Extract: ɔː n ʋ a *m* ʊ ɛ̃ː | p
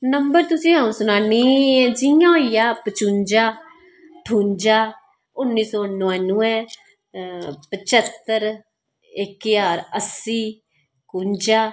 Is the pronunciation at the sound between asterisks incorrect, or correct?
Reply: incorrect